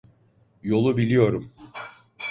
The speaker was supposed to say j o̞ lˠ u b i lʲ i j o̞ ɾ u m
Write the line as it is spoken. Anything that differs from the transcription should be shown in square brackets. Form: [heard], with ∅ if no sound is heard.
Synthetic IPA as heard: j o̞ lˠ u b i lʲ i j o̞ ɾ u m